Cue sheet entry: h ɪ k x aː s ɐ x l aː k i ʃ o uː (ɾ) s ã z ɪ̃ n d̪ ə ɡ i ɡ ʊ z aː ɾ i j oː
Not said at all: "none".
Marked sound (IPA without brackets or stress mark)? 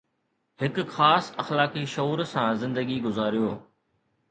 ɾ